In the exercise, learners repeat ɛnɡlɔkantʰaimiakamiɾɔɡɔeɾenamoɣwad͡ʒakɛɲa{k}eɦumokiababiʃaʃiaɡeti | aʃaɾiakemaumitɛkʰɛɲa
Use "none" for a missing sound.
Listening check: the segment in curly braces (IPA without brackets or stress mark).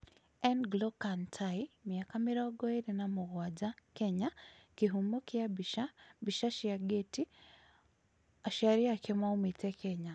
k